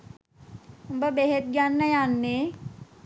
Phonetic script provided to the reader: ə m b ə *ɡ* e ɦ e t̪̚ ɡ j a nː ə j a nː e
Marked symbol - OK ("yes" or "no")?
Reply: no